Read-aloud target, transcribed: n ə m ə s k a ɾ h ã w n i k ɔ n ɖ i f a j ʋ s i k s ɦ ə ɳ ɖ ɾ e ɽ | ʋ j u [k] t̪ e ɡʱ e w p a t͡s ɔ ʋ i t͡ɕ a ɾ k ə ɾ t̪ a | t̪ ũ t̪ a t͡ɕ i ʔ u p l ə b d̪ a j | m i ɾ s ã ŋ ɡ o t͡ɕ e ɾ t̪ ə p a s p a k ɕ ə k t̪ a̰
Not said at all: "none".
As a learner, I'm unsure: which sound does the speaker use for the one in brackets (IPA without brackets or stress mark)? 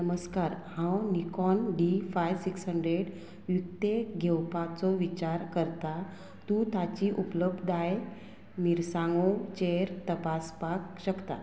k